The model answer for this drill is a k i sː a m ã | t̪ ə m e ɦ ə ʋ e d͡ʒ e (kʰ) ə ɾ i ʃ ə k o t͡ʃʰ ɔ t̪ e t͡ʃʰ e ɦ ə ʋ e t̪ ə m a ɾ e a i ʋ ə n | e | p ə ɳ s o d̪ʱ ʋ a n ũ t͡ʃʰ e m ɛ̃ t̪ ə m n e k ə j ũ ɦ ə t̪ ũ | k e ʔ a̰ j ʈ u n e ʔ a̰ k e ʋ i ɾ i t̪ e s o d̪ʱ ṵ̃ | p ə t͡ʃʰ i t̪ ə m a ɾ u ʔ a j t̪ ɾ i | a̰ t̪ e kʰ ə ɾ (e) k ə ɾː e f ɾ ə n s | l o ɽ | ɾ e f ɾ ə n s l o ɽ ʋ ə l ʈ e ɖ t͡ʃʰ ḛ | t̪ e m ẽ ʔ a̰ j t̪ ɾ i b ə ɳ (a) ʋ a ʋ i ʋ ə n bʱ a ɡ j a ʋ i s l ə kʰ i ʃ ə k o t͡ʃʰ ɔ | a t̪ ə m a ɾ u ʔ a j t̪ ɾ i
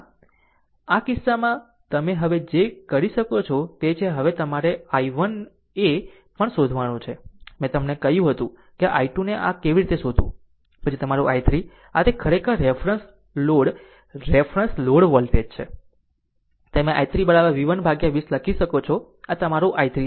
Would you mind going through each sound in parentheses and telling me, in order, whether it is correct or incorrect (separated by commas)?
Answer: incorrect, correct, correct